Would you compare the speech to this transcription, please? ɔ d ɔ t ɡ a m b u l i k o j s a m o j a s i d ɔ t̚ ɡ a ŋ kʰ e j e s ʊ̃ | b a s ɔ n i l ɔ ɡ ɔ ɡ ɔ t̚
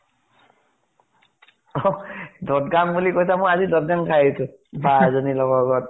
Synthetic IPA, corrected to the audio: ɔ d ɔ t ɡ a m b u l i k o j s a m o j a z i d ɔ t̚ ɡ a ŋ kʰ a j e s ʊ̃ | b a z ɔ n i l ɔ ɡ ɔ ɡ ɔ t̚

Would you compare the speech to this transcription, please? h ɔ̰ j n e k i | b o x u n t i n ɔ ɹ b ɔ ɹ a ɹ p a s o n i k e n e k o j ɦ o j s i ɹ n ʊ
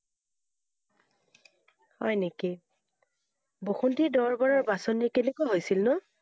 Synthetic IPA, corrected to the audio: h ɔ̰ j n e k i | b o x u n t i d ɔ ɹ b ɔ ɹ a ɹ b a s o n i k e n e k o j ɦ o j s i l n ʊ

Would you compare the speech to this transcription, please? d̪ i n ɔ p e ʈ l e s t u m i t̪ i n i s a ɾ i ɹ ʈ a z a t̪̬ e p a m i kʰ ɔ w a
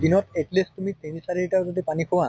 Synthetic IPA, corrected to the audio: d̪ i n ɔ t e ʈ l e s t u m i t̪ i n i s a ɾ i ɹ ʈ a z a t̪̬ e p a n i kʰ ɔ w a

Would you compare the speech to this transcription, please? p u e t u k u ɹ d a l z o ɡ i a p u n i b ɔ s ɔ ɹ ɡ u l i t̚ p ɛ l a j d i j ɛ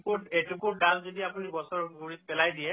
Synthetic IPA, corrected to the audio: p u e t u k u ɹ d a l z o d i a p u n i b ɔ s ɔ ɹ ɡ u ɹ i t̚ p ɛ l a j d i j ɛ

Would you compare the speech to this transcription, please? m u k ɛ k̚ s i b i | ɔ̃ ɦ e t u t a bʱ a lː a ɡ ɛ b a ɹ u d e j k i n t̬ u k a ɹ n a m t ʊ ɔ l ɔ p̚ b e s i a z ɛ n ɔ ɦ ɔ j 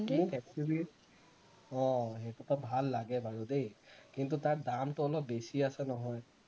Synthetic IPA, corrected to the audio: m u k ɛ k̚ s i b i | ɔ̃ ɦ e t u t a bʱ a lː a ɡ ɛ b a ɹ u d e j k i n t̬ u t a ɹ d a m t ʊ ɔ l ɔ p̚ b e s i a s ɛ n ɔ ɦ ɔ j

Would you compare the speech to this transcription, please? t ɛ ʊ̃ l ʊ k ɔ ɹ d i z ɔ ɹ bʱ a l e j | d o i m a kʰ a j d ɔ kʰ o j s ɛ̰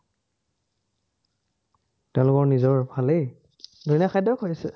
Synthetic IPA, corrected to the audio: t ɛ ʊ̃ l ʊ k ɔ ɹ n i z ɔ ɹ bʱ a l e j | d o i n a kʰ a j d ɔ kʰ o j s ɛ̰

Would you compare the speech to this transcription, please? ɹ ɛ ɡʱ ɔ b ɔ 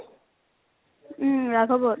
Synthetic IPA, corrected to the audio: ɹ a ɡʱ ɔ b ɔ

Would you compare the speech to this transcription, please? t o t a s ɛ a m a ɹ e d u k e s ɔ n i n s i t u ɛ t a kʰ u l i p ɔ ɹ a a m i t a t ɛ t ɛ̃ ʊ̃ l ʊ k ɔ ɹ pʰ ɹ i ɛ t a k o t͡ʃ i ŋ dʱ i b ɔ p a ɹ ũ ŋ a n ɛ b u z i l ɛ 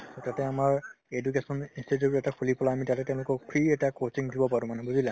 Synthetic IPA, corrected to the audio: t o t a t ɛ a m a ɹ e d u k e s ɔ n i n s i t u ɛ t a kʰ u l i p ɔ l a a m i t a t ɛ t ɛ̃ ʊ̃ l ʊ k ɔ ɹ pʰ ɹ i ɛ t a k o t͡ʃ i ŋ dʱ i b ɔ p a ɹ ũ m a n ɛ b u z i l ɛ

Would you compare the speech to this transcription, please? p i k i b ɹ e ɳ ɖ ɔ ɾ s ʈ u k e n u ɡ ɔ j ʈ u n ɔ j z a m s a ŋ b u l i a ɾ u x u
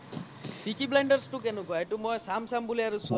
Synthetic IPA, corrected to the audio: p i k i b l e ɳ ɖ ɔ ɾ s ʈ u k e n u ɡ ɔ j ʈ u m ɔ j s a m s a m b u l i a ɾ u s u

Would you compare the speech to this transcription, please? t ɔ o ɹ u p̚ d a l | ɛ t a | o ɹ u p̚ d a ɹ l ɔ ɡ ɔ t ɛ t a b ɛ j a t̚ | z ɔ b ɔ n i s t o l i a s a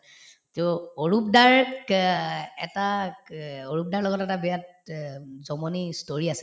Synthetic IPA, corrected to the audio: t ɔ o ɹ u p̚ d a ɹ | ɛ t a | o ɹ u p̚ d a ɹ l ɔ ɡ ɔ t ɛ t a b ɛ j a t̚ | z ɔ m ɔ n i s t o ɹ i a s ɛ

